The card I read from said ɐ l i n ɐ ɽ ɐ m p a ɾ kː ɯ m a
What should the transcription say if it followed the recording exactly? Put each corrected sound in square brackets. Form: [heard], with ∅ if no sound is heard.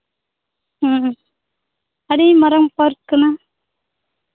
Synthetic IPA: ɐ [ɽ] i [m] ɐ [ɾ] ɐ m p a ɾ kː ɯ [n] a